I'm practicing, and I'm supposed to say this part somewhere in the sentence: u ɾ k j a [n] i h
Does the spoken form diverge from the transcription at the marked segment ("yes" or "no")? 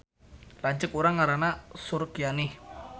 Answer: no